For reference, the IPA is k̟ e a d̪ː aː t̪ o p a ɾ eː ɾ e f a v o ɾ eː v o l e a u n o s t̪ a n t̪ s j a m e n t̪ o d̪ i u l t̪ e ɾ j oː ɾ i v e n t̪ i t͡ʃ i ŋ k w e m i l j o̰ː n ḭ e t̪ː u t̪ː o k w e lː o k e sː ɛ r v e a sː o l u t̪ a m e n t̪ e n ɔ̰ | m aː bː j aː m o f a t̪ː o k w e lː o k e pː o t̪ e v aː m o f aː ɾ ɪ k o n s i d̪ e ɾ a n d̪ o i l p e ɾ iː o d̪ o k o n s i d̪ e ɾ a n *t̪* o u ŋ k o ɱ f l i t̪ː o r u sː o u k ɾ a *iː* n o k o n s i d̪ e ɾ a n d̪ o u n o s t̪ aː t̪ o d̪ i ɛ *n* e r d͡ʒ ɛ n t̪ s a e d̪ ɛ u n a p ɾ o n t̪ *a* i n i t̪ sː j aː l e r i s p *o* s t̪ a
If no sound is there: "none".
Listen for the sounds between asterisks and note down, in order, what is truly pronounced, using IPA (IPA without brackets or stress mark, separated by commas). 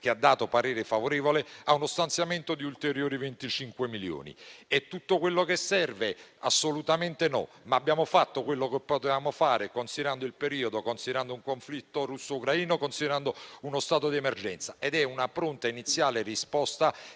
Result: d̪, iː, m, a, ɔ